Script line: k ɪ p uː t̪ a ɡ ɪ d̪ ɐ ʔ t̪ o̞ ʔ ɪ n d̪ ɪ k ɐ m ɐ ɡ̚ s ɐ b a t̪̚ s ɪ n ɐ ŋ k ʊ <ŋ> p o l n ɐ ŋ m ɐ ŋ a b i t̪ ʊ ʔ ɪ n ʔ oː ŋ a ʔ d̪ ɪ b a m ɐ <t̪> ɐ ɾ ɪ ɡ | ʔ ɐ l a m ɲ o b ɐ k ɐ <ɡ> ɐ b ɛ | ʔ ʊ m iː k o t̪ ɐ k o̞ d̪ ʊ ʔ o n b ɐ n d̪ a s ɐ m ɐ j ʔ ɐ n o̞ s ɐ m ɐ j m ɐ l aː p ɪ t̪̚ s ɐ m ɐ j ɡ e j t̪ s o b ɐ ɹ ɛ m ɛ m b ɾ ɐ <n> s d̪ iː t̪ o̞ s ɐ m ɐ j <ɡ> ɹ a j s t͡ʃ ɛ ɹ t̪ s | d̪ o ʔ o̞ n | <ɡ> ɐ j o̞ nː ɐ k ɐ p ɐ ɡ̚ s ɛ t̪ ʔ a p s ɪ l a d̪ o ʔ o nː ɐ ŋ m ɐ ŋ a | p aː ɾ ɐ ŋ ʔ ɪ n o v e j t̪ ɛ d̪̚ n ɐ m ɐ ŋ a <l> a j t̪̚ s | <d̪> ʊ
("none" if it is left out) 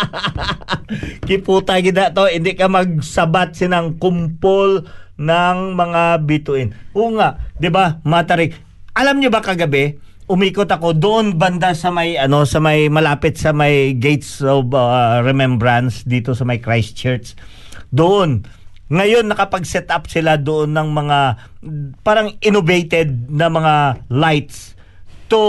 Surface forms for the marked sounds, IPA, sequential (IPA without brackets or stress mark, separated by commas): m, t̪, ɡ, n, k, ŋ, l, t̪